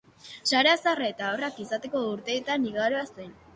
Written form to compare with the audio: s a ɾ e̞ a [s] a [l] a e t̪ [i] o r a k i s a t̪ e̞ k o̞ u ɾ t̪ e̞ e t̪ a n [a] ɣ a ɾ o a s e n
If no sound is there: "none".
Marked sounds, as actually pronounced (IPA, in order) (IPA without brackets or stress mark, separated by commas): s, r, a, i